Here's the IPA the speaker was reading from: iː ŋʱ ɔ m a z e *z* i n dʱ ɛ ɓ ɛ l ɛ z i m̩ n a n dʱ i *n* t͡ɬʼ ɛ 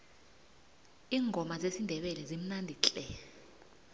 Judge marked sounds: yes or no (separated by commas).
no, no